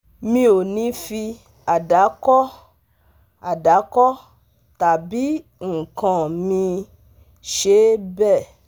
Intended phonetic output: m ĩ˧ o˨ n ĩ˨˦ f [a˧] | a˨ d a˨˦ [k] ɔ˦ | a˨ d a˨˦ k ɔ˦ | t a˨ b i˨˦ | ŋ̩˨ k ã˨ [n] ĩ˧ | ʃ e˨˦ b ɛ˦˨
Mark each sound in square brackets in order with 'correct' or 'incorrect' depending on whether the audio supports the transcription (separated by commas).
incorrect, correct, incorrect